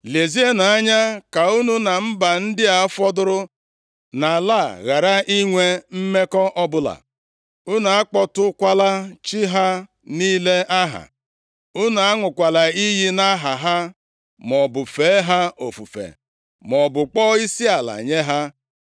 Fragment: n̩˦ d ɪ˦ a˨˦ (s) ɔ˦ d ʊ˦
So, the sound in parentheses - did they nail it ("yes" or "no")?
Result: no